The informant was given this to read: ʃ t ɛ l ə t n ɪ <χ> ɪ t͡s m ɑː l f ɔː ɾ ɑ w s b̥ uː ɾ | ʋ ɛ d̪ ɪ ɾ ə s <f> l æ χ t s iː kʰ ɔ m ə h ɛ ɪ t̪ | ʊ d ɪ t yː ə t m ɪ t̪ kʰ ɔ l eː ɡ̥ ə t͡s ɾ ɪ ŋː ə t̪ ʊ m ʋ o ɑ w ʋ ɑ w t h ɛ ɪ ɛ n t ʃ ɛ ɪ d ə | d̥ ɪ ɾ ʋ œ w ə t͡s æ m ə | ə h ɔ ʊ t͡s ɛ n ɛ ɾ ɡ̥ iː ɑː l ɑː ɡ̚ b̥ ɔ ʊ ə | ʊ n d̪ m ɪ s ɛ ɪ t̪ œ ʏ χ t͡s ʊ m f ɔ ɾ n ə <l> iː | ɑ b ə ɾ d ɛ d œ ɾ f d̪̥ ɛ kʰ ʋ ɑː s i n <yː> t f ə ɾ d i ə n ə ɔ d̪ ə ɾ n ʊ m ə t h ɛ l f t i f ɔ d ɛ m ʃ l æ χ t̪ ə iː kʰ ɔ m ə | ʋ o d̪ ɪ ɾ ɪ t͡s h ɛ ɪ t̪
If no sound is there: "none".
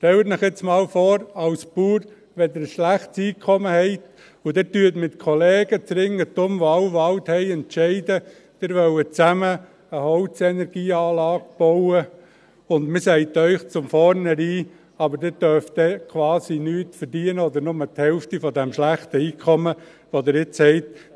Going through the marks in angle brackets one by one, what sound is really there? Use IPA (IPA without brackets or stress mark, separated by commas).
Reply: χ, ʃ, ɾ, yː